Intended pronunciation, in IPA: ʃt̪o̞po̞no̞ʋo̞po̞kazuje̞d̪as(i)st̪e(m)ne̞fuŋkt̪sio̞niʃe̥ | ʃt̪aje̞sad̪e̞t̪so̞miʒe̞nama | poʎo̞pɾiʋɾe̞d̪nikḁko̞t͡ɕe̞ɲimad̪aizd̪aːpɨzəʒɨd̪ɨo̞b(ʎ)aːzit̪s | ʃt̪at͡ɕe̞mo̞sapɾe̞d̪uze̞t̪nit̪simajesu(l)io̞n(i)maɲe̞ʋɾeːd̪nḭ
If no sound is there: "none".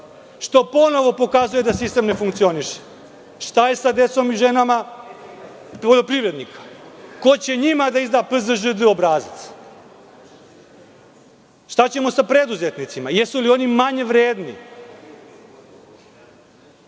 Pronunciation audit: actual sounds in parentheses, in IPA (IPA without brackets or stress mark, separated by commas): i, m, ɾ, l, i